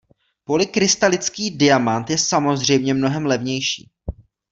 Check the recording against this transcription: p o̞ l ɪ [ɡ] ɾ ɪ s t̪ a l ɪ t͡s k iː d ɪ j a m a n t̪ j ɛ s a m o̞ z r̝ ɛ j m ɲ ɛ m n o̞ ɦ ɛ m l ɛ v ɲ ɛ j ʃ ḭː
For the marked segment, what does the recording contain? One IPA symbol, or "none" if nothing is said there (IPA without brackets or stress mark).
k